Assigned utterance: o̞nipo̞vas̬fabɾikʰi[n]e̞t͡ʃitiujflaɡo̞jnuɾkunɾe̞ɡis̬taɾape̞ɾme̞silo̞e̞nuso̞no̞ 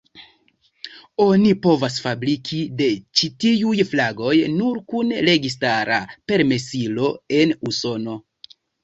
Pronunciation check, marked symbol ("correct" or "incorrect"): incorrect